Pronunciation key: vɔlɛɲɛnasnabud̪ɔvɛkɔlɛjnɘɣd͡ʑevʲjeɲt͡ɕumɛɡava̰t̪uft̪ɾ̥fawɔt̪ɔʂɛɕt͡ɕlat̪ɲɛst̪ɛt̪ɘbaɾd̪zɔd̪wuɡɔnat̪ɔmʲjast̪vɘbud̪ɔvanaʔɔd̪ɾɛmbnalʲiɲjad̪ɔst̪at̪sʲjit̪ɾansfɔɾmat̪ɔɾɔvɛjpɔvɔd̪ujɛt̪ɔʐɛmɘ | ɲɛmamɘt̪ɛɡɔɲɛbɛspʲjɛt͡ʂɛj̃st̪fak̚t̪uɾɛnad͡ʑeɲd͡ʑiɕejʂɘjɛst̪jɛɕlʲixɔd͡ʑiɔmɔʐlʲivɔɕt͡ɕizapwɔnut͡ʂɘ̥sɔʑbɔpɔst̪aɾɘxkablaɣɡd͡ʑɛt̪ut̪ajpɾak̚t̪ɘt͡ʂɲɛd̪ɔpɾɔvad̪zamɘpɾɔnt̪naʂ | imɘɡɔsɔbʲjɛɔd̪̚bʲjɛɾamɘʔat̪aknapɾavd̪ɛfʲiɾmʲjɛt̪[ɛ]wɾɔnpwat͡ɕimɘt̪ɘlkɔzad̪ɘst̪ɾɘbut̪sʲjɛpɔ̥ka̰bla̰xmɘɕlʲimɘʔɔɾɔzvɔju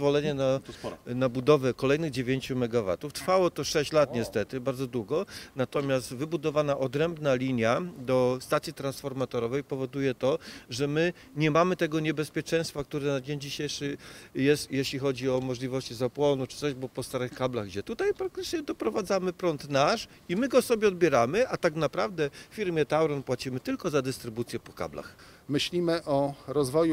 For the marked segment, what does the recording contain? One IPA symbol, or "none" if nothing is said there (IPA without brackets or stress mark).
a